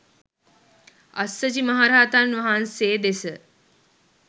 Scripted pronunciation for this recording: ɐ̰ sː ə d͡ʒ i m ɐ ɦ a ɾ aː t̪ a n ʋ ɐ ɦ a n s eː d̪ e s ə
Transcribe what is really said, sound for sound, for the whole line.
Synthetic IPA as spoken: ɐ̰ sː ə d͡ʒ i m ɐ ɦ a ɾ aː t̪ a n ʋ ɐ ɦ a n s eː d̪ e s ə